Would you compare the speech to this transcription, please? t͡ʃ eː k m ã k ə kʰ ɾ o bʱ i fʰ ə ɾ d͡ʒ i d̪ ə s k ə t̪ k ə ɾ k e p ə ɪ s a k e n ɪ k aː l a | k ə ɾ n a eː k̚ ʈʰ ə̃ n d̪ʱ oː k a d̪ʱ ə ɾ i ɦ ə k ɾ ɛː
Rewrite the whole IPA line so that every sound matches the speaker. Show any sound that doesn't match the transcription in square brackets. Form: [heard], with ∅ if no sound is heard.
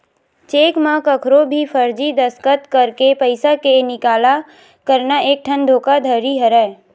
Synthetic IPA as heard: t͡ʃ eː k m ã k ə kʰ ɾ o bʱ i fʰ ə ɾ d͡ʒ i d̪ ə s k ə t̪ k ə ɾ k e p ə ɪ s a k e n ɪ k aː l a | k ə ɾ n a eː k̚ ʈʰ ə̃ n d̪ʱ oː k a d̪ʱ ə ɾ i ɦ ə [∅] ɾ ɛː